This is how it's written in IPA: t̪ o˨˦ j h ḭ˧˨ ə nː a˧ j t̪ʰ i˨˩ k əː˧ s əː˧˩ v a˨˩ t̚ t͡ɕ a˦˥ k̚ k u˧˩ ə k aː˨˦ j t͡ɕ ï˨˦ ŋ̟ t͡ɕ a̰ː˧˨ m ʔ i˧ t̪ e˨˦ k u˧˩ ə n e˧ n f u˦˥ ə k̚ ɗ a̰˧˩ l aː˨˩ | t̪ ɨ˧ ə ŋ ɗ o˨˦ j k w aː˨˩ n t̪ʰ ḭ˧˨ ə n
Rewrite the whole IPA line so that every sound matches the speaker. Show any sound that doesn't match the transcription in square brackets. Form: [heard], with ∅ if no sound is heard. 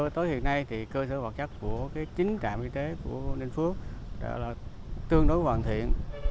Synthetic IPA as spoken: t̪ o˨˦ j h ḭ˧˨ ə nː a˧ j t̪ʰ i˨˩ k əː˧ s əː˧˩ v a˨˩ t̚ t͡ɕ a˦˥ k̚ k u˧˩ ə k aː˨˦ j t͡ɕ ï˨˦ ŋ̟ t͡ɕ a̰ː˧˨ m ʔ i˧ t̪ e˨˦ k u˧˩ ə n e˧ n f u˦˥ ə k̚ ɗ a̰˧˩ l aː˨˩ | t̪ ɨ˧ ə ŋ ɗ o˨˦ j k w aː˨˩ n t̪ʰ ḭ˧˨ ə n